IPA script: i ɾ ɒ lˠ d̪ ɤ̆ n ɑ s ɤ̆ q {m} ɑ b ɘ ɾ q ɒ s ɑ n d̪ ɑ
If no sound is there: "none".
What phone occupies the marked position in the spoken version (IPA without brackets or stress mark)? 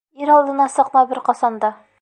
m